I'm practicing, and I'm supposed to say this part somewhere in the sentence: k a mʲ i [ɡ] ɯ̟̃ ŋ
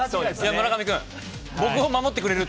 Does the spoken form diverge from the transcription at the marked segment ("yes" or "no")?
yes